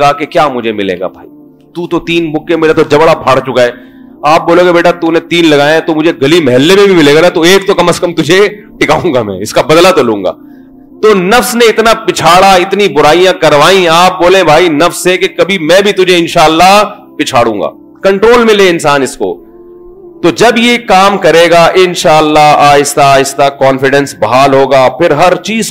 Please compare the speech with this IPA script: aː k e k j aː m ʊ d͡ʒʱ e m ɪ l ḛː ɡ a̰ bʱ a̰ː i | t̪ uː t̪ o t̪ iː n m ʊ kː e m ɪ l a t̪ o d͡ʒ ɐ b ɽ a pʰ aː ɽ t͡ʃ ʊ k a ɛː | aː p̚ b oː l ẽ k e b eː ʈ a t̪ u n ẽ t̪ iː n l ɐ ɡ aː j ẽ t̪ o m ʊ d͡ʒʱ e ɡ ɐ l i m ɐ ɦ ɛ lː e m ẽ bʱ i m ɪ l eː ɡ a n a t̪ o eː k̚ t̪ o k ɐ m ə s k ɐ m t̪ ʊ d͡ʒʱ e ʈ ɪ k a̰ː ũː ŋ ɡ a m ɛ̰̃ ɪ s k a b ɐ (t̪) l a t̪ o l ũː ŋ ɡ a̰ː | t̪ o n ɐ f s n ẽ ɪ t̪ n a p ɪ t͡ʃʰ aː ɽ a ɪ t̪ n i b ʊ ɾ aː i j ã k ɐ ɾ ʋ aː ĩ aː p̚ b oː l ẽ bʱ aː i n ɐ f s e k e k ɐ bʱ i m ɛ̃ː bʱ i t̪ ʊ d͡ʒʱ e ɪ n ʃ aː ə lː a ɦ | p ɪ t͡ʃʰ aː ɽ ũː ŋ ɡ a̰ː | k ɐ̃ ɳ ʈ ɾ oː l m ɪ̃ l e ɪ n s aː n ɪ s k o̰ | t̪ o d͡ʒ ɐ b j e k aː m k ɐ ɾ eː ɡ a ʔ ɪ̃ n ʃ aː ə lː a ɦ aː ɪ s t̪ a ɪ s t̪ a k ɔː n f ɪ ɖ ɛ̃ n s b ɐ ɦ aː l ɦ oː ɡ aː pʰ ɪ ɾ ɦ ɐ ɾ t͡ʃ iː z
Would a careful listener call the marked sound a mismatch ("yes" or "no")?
yes